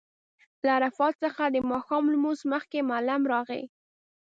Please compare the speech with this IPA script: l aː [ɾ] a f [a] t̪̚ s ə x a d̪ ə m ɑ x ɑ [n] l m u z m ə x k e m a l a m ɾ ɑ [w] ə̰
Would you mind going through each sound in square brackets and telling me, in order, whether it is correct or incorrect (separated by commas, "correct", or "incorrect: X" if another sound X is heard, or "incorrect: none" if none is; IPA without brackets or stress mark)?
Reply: correct, incorrect: ɑ, incorrect: m, incorrect: ɣ